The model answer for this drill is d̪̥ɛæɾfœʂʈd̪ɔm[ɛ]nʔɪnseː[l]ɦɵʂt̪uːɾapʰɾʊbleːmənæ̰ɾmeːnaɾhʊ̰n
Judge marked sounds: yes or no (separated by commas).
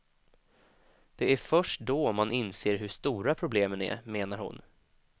no, no